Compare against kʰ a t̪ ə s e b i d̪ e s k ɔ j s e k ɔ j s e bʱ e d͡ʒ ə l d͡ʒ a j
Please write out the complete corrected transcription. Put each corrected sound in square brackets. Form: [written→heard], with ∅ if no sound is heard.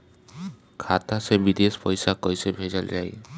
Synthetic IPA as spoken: kʰ a t̪ [ə→a] s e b i d̪ e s [k→p] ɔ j s [e→a] k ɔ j s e bʱ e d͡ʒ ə l d͡ʒ a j